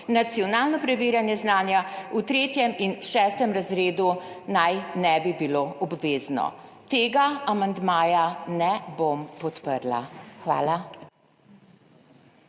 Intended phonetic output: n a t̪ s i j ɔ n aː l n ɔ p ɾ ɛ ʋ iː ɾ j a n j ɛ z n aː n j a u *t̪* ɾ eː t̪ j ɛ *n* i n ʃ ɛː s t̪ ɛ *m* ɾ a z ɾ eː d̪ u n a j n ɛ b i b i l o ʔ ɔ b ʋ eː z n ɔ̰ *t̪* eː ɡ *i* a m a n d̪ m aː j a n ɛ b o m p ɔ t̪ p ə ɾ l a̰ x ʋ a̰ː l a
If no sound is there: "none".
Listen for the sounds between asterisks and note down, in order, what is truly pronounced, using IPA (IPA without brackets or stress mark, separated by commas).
t̪, m, m, t̪, a